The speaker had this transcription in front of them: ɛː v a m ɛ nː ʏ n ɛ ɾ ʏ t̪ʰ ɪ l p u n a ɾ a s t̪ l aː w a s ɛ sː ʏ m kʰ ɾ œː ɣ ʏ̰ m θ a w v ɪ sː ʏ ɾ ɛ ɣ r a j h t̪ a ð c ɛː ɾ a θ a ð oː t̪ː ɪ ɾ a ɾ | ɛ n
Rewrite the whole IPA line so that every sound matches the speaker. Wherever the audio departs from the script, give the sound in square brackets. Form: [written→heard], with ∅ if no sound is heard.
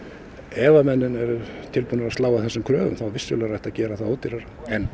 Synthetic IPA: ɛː v a m ɛ nː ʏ n ɛ ɾ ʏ t̪ʰ ɪ l p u n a ɾ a s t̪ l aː w a [s→θ] ɛ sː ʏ m kʰ ɾ œː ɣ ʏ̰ m θ a w v ɪ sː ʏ [ɾ→l] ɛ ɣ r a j h t̪ a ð c ɛː ɾ a θ a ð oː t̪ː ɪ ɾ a ɾ | ɛ n